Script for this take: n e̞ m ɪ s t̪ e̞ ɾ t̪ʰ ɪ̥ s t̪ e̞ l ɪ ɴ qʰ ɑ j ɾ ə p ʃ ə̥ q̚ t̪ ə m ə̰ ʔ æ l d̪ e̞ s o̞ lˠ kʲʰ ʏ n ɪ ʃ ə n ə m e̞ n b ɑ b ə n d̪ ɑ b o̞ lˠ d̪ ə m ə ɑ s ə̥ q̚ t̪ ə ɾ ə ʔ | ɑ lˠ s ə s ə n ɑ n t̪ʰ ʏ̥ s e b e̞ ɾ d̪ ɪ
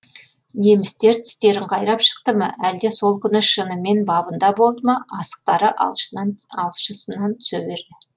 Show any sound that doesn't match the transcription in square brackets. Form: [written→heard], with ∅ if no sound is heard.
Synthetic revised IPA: n e̞ m ɪ s t̪ e̞ ɾ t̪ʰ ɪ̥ s t̪ e̞ [l→ɾ] ɪ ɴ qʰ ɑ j ɾ [ə→ɑ] p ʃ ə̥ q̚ t̪ ə m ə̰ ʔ æ l d̪ e̞ s o̞ lˠ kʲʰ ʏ n ɪ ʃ ə n ə m e̞ n b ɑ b ə n d̪ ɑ b o̞ lˠ d̪ ə m [ə→ɑ] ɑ s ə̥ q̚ t̪ [ə→ɑ] ɾ ə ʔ | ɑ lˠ [s→ʃ] ə s ə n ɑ n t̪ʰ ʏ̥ s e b e̞ ɾ d̪ ɪ